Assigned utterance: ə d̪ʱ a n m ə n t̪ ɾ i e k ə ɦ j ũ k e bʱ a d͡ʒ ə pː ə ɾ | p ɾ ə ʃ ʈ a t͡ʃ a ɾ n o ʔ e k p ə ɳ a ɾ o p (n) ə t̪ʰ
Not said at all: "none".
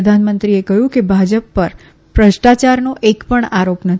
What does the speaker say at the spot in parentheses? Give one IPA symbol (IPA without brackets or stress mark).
n